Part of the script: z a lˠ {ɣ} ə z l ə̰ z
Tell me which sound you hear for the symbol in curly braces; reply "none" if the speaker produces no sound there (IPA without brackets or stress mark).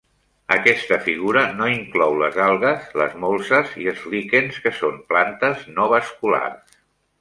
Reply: ɣ